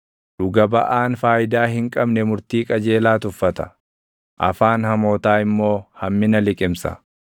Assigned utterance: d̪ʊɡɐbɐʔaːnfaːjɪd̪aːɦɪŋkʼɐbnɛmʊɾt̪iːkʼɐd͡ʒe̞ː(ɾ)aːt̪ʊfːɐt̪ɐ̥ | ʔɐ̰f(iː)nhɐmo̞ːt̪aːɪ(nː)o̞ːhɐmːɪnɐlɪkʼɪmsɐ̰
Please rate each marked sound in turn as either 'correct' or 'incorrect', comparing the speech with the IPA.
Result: incorrect: l, incorrect: aː, incorrect: mː

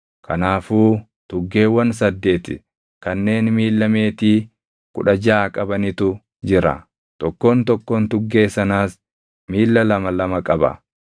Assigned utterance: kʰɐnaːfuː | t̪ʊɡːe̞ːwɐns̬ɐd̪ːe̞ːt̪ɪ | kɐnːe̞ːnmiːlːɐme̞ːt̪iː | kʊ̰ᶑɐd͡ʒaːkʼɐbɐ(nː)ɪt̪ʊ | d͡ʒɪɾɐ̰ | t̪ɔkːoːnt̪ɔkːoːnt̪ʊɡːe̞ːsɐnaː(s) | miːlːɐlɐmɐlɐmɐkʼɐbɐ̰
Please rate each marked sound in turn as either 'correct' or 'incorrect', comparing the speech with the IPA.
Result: incorrect: n, correct

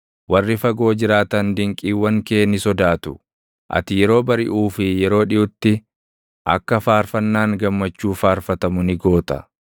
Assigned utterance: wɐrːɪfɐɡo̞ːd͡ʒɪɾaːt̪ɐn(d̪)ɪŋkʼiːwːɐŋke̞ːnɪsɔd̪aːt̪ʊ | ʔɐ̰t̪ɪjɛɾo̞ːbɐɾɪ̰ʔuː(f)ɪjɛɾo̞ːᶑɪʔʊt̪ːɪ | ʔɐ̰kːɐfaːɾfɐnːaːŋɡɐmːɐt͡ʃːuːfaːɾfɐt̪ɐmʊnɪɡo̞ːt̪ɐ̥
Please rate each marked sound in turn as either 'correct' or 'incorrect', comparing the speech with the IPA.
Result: correct, correct

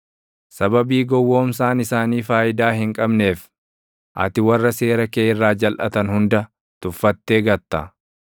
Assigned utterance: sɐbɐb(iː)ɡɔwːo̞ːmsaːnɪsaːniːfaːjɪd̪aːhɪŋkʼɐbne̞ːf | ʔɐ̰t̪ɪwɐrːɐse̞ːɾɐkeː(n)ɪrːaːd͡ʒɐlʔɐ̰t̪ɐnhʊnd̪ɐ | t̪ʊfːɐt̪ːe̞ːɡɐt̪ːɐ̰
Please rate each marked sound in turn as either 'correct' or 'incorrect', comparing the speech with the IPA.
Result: correct, incorrect: none

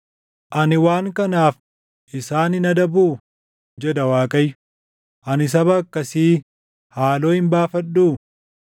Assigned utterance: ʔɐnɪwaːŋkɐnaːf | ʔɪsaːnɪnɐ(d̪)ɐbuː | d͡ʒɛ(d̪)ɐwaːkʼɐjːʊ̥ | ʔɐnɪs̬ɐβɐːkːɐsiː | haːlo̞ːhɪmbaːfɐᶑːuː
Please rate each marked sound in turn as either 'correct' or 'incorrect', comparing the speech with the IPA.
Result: correct, correct

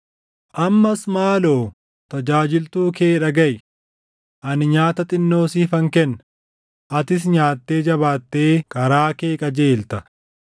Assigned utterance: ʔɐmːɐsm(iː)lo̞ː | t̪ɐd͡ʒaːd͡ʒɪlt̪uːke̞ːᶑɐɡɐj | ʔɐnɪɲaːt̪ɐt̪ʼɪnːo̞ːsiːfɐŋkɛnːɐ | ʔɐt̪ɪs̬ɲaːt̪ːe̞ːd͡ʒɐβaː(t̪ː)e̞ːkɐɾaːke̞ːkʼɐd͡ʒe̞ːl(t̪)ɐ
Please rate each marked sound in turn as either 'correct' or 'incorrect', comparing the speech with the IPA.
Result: incorrect: aː, correct, correct

